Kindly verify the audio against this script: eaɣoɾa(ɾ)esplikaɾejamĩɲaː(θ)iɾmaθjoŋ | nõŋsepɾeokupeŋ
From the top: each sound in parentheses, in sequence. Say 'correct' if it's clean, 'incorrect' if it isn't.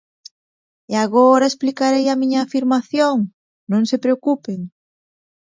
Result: incorrect, incorrect

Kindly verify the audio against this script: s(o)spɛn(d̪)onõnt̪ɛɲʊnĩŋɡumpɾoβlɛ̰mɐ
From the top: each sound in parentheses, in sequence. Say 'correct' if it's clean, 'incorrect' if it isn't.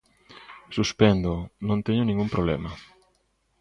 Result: incorrect, correct

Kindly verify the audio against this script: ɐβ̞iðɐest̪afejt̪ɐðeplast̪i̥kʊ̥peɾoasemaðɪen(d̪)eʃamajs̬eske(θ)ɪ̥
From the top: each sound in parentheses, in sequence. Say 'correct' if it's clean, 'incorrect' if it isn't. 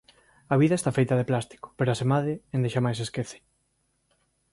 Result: correct, correct

